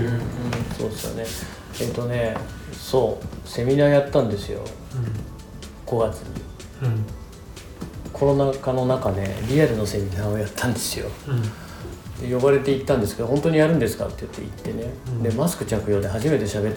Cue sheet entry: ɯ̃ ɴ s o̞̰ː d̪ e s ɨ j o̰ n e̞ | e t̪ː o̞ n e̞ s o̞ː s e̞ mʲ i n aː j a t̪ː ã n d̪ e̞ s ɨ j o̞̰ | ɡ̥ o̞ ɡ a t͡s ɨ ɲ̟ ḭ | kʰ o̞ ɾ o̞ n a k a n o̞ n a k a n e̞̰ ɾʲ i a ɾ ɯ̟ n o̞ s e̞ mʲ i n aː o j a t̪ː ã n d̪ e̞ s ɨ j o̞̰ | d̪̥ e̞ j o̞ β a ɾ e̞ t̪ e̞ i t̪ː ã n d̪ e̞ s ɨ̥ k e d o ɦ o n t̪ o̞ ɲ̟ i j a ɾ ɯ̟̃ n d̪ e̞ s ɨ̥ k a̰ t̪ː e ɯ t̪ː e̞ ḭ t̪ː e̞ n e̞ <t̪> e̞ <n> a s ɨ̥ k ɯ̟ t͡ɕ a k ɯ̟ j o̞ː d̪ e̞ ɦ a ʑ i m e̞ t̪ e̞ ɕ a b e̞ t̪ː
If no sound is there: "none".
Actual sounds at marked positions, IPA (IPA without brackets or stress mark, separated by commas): d̪, m